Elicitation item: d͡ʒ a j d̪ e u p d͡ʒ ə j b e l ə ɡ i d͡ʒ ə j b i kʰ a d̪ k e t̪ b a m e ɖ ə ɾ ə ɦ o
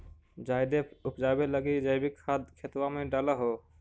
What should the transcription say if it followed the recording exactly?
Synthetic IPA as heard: d͡ʒ a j d̪ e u p d͡ʒ a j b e l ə ɡ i d͡ʒ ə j b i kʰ a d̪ kʰ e t̪ w a m e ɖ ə l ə ɦ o